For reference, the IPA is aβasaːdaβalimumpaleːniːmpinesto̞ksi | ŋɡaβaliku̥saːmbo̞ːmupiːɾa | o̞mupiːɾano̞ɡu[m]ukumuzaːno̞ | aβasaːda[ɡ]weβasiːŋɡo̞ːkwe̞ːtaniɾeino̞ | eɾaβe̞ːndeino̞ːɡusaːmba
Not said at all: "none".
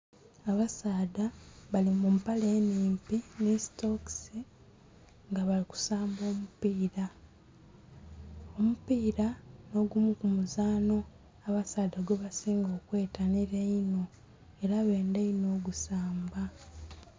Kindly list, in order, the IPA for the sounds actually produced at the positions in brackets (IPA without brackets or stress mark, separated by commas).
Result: m, ɡ